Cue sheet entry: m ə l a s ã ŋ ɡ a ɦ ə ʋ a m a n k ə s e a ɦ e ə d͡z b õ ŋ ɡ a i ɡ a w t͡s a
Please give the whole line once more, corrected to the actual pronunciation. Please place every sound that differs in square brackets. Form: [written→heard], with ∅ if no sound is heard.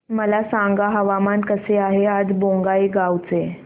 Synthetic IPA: m ə l a s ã ŋ ɡ a ɦ ə ʋ a m a n k ə s e a ɦ e [ə→a] d͡z b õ ŋ ɡ a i ɡ a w t͡s [a→e]